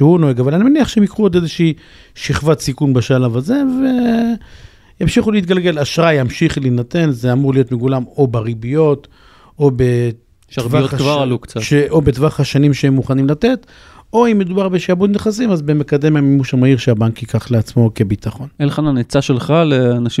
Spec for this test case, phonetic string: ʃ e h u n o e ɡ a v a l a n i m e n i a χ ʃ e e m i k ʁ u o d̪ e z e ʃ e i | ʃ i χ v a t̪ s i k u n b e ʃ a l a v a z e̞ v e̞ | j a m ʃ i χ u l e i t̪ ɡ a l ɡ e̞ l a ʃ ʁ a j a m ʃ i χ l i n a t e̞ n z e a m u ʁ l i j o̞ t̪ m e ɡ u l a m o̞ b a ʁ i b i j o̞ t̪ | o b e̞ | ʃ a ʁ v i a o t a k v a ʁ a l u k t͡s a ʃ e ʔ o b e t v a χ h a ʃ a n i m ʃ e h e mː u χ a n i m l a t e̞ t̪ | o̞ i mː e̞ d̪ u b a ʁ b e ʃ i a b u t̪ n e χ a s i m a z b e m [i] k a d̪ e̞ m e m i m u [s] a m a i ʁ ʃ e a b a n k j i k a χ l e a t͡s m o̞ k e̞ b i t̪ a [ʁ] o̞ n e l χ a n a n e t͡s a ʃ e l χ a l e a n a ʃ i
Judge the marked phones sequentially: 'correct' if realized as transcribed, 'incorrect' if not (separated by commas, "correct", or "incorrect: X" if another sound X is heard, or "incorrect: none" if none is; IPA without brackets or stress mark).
incorrect: e, incorrect: ʃ, incorrect: χ